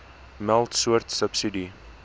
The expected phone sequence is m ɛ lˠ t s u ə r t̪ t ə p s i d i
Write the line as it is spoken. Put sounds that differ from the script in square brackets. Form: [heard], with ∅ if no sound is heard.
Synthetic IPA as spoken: m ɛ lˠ t s u ə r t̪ [s] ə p s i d i